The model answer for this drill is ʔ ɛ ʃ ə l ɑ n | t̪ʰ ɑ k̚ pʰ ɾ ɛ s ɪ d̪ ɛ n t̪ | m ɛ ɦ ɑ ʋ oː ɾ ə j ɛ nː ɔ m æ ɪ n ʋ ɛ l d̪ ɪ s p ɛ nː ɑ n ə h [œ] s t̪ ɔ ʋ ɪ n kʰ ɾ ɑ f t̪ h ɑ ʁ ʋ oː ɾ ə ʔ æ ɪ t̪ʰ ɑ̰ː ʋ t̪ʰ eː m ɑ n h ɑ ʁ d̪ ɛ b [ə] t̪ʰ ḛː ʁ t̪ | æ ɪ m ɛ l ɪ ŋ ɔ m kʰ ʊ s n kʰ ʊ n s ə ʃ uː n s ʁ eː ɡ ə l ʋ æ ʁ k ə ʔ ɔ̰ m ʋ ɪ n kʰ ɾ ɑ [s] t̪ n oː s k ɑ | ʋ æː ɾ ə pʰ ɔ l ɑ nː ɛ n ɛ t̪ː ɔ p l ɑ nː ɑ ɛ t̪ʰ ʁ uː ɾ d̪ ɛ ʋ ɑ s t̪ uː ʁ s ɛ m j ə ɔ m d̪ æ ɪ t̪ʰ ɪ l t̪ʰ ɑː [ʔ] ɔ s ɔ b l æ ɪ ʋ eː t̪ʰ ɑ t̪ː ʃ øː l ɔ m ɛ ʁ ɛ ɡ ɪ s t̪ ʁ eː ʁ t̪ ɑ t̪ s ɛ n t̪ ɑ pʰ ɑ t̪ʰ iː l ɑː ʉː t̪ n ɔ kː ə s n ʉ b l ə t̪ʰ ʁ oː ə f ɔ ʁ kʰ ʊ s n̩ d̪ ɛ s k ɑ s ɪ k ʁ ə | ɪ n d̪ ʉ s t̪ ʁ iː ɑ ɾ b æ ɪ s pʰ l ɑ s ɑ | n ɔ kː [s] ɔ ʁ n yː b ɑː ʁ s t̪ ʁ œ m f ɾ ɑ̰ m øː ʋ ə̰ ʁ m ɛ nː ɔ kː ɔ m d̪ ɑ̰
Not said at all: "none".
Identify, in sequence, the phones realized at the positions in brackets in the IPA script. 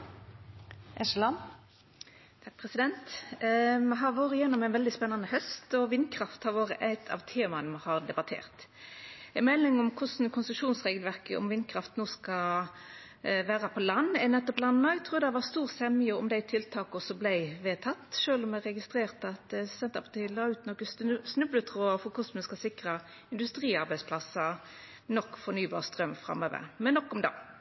œ, ɑ, f, k, f

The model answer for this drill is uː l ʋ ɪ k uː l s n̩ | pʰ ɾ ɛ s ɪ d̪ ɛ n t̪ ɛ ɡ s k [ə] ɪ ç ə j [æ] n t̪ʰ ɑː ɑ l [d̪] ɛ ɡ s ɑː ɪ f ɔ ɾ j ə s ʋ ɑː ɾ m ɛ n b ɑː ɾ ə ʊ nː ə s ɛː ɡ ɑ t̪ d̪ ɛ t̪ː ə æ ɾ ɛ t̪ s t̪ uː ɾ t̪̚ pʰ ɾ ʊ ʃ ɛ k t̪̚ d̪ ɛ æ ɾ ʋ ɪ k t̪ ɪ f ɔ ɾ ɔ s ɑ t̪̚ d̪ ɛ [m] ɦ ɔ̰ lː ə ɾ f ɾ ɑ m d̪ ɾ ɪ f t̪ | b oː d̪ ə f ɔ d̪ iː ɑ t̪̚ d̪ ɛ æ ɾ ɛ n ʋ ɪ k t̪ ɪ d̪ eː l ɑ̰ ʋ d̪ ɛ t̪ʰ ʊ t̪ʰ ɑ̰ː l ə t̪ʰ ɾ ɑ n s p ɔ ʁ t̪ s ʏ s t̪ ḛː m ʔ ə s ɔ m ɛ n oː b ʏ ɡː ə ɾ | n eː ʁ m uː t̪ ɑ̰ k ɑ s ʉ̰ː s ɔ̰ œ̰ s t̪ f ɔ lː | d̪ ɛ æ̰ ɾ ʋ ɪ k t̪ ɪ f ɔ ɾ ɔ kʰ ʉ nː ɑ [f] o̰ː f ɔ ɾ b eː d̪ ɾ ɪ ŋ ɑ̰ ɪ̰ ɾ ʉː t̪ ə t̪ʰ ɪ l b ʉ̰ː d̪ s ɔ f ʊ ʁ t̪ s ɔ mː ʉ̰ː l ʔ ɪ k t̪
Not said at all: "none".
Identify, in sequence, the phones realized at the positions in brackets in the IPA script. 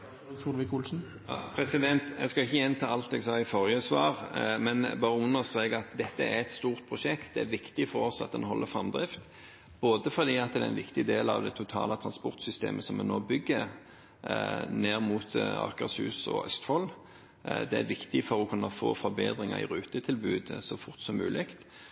ɑ, ɛ, t̪, n, f

